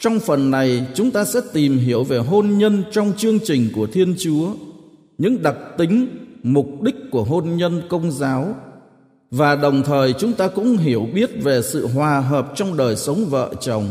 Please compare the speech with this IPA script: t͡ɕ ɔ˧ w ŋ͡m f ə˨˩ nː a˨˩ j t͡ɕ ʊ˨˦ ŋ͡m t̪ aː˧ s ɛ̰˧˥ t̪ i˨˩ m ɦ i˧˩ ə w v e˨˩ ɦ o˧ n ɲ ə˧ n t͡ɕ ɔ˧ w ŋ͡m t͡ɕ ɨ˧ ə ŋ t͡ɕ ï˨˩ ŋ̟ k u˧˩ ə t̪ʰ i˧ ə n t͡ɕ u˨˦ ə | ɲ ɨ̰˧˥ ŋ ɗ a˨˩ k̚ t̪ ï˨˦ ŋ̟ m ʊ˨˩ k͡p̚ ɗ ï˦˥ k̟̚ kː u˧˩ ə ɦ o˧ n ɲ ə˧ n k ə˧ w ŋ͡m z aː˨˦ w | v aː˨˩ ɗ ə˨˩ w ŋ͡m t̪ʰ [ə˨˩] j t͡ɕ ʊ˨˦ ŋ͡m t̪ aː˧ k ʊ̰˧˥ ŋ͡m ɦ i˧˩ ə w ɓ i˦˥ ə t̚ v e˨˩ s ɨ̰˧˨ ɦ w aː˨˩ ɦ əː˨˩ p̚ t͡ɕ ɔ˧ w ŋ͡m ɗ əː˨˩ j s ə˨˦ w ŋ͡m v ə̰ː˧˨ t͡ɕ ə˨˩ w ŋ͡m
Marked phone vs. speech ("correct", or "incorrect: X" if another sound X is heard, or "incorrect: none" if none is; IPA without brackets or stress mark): incorrect: əː˨˩